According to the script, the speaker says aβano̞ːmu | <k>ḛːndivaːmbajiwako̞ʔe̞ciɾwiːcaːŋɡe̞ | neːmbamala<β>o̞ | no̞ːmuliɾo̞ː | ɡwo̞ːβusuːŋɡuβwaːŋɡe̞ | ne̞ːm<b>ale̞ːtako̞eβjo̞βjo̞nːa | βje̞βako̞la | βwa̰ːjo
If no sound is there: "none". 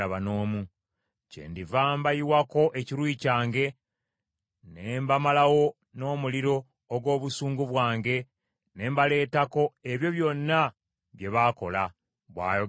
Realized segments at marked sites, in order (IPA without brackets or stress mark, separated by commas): c, w, b